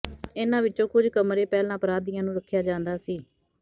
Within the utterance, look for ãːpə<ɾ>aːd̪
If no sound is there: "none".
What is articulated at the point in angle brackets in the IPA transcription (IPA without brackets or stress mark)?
ɾ